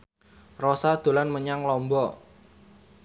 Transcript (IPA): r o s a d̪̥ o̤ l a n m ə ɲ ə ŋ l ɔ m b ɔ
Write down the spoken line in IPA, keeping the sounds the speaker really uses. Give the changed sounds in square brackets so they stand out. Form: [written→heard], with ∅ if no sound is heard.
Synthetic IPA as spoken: r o s a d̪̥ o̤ l a n m ə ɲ [ə→a] ŋ l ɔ m b ɔ